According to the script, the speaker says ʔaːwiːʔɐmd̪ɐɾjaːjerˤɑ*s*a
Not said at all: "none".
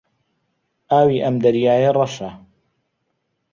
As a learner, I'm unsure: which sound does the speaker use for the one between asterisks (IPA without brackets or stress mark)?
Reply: ʃ